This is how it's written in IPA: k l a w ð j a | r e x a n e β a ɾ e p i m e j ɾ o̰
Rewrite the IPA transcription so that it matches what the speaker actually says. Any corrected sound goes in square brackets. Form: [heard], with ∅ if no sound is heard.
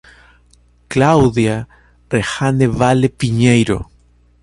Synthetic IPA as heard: k l a w ð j a | r e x a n e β a [l] e p i [ɲ] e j ɾ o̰